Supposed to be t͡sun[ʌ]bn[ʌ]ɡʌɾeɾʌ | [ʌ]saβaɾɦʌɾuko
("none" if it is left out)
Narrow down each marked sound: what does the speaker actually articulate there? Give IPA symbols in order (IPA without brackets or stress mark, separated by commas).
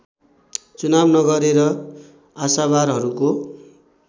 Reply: a, ʌ, a